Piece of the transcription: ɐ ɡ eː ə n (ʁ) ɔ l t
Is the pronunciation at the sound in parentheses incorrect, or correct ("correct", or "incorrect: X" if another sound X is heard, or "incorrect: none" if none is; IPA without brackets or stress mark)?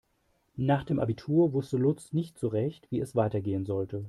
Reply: incorrect: z